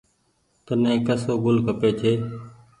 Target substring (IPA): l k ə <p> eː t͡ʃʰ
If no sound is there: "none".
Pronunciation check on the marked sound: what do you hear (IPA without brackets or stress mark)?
p